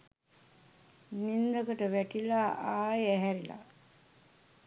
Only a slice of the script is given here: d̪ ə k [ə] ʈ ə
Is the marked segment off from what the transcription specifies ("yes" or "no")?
no